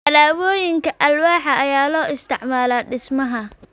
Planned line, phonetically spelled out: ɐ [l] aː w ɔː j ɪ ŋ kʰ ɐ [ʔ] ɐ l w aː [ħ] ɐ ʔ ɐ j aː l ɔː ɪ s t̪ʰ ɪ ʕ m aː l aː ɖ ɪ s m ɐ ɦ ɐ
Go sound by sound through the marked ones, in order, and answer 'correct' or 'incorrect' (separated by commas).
correct, correct, correct